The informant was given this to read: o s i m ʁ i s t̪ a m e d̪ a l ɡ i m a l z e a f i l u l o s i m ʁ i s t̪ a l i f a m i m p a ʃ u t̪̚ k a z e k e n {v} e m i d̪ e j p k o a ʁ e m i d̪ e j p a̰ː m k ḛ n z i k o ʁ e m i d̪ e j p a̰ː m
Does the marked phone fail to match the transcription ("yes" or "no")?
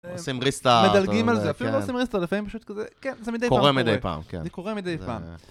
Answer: yes